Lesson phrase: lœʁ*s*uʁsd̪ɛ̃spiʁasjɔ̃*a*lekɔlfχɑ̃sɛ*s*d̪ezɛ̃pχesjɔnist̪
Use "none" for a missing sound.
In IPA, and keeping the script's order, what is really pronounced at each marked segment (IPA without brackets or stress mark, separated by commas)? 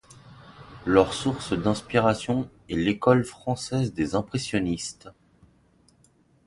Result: s, ɛ, z